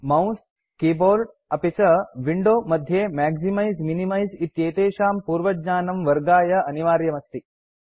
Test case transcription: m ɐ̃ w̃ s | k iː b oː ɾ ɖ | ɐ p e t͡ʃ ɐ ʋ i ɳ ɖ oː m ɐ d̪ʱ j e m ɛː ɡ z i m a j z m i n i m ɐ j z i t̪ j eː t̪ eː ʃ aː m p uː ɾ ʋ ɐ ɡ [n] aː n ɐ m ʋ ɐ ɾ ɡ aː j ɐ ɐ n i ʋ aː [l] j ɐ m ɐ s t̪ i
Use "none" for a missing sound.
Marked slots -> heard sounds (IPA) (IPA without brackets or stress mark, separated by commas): ɲ, ɾ